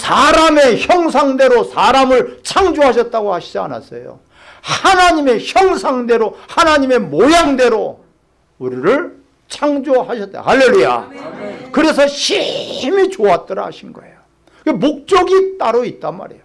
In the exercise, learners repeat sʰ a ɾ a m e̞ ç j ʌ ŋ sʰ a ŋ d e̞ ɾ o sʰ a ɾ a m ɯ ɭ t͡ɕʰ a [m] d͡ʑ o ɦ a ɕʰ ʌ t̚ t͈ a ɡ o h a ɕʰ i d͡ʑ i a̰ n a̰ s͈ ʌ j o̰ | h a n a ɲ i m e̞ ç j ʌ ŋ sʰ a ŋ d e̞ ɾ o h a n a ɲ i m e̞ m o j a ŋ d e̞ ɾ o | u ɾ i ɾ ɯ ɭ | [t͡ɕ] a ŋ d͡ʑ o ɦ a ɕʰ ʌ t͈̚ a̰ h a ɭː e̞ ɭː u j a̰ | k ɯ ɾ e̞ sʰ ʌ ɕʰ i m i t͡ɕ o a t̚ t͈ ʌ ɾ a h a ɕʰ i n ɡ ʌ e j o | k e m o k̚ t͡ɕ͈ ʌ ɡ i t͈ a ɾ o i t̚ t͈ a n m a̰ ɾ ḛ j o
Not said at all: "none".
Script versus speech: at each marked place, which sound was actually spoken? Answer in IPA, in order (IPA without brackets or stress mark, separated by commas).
ŋ, t͡ɕʰ